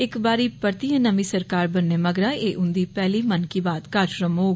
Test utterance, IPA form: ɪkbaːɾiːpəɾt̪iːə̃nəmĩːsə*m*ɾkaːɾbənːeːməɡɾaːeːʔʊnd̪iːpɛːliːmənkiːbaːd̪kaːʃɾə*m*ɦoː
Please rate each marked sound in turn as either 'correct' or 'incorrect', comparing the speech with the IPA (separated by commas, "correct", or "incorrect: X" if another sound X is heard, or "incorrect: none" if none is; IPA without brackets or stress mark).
incorrect: none, correct